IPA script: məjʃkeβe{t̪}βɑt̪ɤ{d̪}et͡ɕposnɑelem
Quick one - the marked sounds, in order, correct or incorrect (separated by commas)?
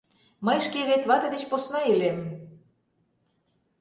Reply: correct, correct